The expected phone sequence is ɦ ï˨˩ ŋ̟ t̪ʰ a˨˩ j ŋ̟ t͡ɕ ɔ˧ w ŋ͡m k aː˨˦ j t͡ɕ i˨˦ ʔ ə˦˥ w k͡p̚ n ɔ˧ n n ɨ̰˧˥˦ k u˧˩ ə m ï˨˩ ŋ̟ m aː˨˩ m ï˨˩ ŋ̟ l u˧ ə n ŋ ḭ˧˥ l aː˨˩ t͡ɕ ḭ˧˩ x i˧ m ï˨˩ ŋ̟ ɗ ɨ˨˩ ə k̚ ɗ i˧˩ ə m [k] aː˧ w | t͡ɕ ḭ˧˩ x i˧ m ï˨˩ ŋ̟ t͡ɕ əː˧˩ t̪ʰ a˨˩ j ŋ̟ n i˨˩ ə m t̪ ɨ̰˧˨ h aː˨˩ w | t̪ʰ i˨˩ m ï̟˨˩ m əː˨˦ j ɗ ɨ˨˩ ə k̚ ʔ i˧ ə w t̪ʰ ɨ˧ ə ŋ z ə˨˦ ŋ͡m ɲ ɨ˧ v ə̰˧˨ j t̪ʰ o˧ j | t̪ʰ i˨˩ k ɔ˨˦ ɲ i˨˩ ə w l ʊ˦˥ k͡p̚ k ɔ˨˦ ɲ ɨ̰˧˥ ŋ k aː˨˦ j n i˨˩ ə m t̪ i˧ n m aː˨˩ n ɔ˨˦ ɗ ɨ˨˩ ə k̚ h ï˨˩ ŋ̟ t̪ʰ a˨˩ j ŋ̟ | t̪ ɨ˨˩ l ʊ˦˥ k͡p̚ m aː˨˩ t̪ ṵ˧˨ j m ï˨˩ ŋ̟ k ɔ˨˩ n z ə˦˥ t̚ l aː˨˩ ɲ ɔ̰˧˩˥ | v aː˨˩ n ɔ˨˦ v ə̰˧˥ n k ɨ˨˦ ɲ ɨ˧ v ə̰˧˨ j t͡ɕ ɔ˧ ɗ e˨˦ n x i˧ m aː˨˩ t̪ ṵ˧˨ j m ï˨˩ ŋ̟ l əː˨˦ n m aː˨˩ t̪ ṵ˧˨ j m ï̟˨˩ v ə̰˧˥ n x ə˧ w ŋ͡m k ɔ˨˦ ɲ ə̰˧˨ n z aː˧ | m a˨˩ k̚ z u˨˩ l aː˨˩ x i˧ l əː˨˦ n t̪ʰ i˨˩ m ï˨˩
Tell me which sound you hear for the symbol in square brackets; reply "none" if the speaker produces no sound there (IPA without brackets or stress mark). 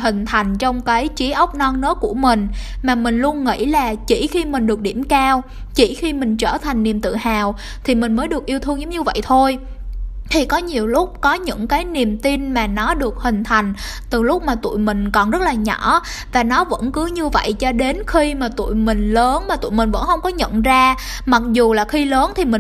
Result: k